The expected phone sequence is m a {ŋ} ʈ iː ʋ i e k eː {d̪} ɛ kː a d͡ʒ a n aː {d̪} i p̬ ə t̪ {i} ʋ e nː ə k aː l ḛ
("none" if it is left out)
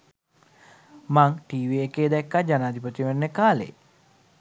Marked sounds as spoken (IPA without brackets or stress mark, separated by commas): ŋ, d̪, d̪, i